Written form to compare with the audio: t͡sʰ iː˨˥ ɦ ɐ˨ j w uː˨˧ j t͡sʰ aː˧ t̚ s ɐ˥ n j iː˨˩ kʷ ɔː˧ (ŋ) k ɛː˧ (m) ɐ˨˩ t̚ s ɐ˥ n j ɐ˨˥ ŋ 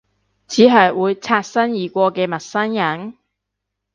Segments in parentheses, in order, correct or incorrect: incorrect: none, correct

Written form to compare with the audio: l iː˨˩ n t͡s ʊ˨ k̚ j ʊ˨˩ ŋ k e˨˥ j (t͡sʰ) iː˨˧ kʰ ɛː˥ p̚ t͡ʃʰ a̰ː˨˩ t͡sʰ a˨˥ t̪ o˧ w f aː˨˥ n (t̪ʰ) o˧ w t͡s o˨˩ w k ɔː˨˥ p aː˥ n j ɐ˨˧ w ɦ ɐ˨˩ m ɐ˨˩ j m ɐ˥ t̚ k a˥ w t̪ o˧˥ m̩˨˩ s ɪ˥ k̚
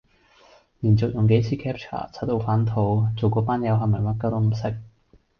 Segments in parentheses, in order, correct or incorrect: correct, correct

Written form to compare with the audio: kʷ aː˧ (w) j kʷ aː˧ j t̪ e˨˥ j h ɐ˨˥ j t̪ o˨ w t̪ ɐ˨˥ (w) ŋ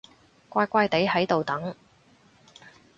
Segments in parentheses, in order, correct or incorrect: incorrect: none, incorrect: none

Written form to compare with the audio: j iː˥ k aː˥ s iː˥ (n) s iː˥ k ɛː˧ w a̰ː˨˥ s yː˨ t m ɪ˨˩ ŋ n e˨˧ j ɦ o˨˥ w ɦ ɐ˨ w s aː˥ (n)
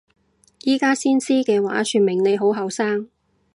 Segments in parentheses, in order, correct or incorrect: correct, incorrect: ŋ

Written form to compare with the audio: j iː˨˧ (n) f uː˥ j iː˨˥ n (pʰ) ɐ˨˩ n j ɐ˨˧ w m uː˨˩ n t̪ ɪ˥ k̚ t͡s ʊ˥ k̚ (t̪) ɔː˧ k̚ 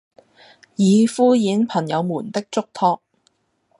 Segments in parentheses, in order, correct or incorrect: incorrect: none, correct, incorrect: t̪ʰ

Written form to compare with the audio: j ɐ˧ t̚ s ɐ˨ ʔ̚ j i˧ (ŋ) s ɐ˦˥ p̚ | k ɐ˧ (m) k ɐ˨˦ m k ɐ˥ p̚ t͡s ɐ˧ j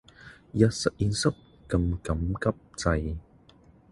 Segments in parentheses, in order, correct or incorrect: incorrect: n, correct

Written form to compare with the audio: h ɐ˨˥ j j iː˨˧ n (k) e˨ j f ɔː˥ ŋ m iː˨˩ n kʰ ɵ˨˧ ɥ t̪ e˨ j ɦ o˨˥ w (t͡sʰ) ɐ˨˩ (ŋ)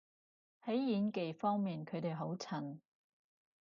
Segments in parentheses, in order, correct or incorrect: correct, correct, incorrect: n

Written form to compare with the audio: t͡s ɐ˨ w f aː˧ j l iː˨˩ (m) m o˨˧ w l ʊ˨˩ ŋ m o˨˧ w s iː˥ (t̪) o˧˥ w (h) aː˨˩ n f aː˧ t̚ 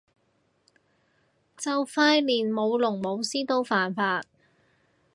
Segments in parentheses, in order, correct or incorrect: incorrect: n, correct, incorrect: f

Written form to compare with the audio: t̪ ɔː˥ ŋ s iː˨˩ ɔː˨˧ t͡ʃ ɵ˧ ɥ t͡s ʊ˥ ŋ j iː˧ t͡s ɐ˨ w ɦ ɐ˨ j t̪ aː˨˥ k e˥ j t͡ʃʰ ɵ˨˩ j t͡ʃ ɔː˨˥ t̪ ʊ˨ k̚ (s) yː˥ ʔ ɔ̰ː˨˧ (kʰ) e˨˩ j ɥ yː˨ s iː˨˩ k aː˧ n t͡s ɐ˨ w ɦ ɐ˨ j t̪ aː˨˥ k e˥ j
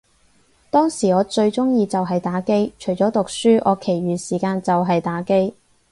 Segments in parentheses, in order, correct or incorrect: correct, correct

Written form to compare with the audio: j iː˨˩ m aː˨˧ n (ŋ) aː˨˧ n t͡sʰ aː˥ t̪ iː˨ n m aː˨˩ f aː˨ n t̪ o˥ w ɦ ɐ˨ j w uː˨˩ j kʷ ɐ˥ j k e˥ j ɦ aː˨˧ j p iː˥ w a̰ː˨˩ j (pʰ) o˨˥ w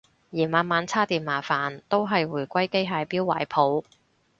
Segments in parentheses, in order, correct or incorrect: incorrect: m, correct

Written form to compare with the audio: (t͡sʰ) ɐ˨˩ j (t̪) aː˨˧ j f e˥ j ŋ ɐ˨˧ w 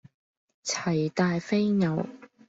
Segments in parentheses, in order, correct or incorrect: correct, correct

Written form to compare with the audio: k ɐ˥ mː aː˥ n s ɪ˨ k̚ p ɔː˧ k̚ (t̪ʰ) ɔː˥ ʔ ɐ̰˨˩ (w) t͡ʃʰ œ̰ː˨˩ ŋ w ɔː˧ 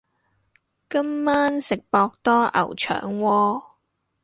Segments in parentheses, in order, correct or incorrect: incorrect: t̪, correct

